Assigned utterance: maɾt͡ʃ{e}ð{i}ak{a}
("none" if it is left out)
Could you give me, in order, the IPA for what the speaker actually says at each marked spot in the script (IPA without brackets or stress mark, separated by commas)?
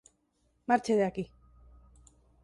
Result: e, e, i